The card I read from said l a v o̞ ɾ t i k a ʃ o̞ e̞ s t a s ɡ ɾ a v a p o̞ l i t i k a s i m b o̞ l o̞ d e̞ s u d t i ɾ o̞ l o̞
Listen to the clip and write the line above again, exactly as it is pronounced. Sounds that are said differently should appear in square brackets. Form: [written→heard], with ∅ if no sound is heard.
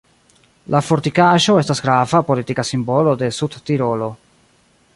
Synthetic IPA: l a [v→f] o̞ ɾ t i k a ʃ o̞ e̞ s t a s ɡ ɾ a v a p o̞ l i t i k a s i m b o̞ l o̞ d e̞ s u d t i ɾ o̞ l o̞